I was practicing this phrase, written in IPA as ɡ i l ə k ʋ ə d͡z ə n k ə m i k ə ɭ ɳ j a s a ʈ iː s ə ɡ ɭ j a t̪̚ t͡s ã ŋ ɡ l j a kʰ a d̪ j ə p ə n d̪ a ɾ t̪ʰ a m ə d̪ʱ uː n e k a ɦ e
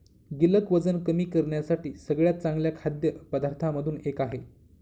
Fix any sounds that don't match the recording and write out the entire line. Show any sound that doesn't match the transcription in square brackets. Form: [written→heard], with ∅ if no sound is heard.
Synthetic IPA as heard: ɡ i l ə k ʋ ə d͡z ə n k ə m [i→iː] k ə [ɭ→ɾ] ɳ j a s a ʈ iː s ə ɡ ɭ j a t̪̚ t͡s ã ŋ ɡ l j a kʰ a d̪ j ə p ə [n→∅] d̪ a ɾ t̪ʰ a m ə d̪ʱ uː n e k a ɦ e